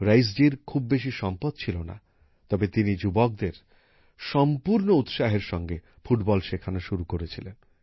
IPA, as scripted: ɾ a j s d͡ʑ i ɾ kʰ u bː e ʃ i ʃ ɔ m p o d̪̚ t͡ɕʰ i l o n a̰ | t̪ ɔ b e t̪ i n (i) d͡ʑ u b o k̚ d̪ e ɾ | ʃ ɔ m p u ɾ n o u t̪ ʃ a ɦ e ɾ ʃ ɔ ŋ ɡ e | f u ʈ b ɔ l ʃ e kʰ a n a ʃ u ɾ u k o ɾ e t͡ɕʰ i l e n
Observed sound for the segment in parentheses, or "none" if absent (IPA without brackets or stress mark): i